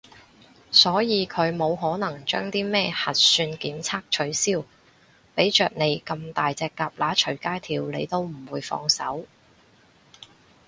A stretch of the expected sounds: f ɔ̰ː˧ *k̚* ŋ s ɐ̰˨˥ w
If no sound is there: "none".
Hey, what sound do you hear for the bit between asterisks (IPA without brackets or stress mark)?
none